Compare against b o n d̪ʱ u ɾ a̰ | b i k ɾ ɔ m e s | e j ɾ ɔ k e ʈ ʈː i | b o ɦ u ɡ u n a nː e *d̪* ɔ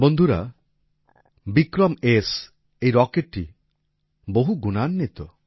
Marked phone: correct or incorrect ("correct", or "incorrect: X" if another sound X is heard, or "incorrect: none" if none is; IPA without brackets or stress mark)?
incorrect: t̪